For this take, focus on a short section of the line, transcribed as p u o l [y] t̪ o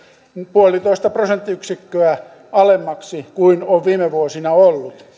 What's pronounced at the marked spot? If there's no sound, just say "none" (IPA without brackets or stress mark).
i